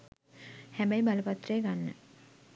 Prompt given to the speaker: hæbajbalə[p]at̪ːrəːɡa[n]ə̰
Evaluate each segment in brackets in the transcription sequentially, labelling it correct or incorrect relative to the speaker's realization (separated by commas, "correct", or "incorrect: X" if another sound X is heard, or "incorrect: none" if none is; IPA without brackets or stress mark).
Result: correct, incorrect: nː